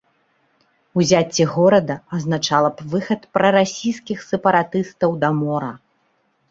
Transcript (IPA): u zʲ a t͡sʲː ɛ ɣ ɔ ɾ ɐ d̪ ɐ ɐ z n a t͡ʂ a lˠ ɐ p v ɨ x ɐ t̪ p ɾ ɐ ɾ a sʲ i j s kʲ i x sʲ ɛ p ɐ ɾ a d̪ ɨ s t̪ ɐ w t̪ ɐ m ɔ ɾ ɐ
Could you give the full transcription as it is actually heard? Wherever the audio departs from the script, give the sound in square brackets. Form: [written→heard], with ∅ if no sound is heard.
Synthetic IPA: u zʲ a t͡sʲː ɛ ɣ ɔ ɾ ɐ d̪ ɐ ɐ z n a t͡ʂ a lˠ ɐ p v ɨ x ɐ t̪ p ɾ ɐ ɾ a sʲ i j s kʲ i x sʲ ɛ p ɐ ɾ a [d̪→t̪] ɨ s t̪ ɐ w [t̪→d̪] ɐ m ɔ ɾ ɐ